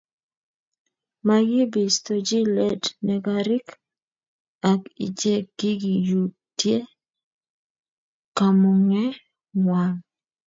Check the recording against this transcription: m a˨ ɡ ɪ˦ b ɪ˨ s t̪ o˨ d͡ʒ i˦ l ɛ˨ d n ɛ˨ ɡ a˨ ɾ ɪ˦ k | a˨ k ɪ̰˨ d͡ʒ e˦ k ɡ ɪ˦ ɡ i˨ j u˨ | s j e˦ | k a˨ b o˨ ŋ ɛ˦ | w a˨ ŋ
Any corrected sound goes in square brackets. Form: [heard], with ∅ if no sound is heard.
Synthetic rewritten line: m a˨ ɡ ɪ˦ b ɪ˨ s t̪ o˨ d͡ʒ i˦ l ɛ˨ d n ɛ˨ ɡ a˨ ɾ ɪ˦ k | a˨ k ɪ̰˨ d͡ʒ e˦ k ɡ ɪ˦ ɡ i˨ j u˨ | [t] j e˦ | k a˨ [m] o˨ ŋ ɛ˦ | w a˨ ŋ